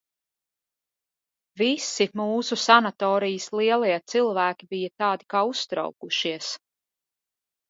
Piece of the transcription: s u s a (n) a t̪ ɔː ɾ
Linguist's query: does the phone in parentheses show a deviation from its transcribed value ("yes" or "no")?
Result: no